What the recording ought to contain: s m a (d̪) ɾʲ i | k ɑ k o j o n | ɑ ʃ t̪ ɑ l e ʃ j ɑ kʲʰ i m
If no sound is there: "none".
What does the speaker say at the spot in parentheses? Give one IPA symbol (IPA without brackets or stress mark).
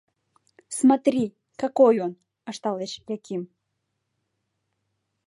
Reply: t̪